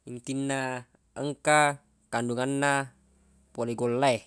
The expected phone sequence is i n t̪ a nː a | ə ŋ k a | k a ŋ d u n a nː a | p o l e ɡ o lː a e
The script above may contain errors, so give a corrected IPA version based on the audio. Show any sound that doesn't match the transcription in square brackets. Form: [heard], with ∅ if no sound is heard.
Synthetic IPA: i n t̪ [i] nː a | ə ŋ k a | k a [n] d u [ŋ] a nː a | p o l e ɡ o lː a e